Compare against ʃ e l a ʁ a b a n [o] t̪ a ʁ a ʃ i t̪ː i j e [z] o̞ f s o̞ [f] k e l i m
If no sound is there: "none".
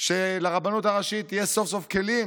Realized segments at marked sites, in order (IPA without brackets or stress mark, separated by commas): u, s, f